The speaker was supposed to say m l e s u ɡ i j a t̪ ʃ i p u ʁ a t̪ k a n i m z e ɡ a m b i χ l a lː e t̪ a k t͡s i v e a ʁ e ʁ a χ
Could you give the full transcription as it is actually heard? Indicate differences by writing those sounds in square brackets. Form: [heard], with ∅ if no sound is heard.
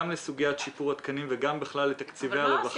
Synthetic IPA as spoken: m l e s u ɡ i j a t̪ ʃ i p u ʁ a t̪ k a n i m [v] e ɡ a m b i χ l a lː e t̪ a k t͡s i v e a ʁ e [v] a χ